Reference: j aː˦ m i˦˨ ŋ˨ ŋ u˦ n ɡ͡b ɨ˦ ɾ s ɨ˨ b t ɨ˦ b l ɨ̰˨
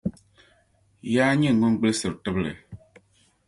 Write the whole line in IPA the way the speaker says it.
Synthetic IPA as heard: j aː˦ ɲ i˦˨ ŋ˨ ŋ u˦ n ɡ͡b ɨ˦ l s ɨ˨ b t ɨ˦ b l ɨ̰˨